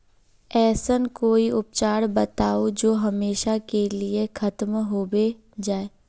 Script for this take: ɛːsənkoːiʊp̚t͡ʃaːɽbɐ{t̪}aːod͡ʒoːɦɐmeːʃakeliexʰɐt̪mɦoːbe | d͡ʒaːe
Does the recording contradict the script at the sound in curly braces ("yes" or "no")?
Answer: no